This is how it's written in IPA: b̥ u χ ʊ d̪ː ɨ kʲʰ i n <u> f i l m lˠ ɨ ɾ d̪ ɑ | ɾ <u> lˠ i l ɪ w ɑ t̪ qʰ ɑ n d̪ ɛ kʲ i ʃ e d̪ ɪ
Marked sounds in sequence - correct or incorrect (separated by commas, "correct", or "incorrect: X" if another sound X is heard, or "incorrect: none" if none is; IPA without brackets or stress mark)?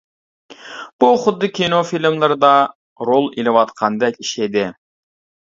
incorrect: o, incorrect: o